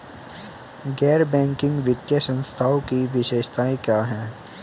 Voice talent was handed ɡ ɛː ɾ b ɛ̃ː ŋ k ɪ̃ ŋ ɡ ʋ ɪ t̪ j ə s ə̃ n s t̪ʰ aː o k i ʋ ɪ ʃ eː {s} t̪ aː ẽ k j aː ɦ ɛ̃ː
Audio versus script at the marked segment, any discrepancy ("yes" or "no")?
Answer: yes